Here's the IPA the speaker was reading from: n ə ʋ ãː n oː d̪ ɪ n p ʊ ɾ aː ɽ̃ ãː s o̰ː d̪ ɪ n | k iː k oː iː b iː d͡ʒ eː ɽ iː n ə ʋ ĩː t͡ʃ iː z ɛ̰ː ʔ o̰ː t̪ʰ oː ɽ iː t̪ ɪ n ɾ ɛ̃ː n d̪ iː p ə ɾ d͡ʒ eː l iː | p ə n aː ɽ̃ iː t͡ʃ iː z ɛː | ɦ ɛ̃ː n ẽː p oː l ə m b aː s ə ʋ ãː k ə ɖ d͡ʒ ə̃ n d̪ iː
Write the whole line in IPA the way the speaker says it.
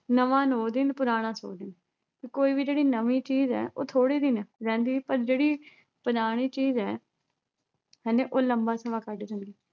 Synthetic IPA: n ə ʋ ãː n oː d̪ ɪ n p ʊ ɾ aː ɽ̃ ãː s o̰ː d̪ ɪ n | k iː k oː iː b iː d͡ʒ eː ɽ iː n ə ʋ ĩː t͡ʃ iː z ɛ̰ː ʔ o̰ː t̪ʰ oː ɽ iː d̪ ɪ n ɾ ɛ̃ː n d̪ iː p ə ɾ d͡ʒ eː ɽ iː | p ə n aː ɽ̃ iː t͡ʃ iː z ɛː | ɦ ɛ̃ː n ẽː ʔ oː l ə m b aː s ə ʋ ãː k ə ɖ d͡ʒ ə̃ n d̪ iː